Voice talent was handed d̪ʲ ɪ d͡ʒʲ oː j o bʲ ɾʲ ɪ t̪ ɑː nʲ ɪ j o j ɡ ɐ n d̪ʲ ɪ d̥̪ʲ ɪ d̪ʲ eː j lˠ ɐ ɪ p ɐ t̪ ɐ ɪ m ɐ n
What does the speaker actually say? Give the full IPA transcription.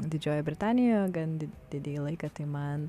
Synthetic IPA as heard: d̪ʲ ɪ d͡ʒʲ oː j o bʲ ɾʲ ɪ t̪ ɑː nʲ ɪ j o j ɡ ɐ n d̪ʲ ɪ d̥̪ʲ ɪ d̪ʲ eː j lˠ ɐ ɪ k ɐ t̪ ɐ ɪ m ɐ n